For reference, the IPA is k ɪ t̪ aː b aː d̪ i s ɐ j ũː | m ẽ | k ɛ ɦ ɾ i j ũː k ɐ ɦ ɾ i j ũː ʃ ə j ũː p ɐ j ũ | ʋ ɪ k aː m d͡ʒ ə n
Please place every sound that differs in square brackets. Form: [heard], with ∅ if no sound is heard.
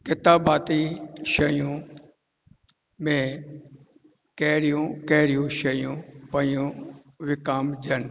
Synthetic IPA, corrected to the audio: k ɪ t̪ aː b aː [t̪] i [ʃ] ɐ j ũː | m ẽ | k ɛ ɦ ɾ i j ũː k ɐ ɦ ɾ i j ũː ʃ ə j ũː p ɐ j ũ | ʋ ɪ k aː m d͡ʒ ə n